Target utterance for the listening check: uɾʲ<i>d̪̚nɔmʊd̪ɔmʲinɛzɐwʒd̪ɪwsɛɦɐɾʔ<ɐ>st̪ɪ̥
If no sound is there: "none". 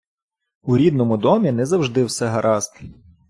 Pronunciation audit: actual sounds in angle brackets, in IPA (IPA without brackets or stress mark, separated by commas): i, ɑ